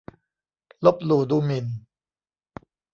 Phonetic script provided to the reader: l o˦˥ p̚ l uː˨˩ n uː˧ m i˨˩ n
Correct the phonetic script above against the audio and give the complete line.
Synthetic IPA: l o˦˥ p̚ l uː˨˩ d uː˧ m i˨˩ n